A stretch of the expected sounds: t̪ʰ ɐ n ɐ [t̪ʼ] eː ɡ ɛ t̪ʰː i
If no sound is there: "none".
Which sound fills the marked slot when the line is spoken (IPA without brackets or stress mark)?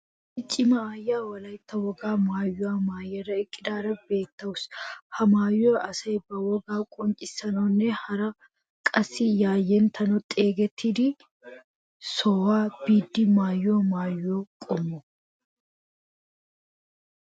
t̪ʼ